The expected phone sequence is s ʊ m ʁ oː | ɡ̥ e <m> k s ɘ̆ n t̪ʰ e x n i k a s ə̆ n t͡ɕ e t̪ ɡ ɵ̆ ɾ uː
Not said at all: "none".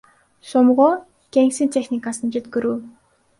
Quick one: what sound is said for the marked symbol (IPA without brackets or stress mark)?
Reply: ŋ